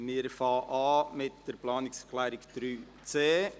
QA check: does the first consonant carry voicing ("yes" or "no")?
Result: yes